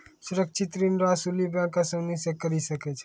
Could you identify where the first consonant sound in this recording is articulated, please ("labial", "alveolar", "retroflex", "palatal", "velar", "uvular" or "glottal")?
alveolar